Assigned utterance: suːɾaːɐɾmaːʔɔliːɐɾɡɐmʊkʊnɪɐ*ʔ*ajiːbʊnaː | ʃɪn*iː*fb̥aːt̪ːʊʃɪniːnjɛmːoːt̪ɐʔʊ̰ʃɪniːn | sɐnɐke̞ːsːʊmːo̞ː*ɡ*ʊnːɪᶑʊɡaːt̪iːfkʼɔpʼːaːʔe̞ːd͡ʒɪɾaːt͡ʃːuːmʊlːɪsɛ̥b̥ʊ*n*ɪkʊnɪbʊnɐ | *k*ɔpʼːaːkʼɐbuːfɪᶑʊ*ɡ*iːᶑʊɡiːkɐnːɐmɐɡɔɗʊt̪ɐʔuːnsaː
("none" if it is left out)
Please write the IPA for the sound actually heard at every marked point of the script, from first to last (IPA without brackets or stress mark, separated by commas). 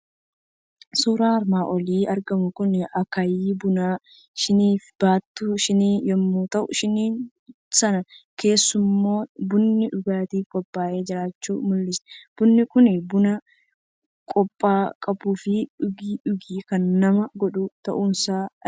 k, iː, b, nː, kʼ, ɡ